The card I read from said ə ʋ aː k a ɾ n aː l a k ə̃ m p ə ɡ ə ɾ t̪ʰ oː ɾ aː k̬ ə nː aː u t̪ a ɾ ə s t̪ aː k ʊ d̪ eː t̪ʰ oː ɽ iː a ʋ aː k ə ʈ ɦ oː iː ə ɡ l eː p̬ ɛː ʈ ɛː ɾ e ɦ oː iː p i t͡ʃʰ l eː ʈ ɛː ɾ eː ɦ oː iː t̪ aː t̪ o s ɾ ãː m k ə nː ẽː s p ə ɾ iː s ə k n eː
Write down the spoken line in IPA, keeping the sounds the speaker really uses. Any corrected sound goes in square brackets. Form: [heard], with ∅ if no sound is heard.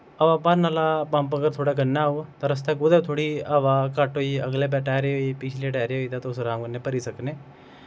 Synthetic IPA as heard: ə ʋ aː [p] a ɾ n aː l a [p] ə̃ m p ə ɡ ə ɾ t̪ʰ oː [ɽ] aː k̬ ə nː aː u t̪ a ɾ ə s t̪ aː k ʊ d̪ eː t̪ʰ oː ɽ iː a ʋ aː k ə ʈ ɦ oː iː ə ɡ l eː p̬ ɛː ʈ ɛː ɾ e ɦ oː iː p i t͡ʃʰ l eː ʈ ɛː ɾ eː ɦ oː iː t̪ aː t̪ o s ɾ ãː m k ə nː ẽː [∅] p ə ɾ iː s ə k n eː